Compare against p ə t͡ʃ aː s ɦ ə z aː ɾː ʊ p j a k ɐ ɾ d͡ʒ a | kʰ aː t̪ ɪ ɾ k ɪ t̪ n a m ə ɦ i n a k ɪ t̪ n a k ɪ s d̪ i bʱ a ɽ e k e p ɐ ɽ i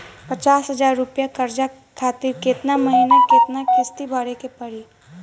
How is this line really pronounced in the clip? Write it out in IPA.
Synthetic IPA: p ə t͡ʃ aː s ɦ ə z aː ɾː ʊ p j a k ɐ ɾ d͡ʒ a | kʰ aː t̪ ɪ ɾ k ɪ t̪ n a m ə ɦ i n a k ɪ t̪ n a k ɪ s t̪ i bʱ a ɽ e k e p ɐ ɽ i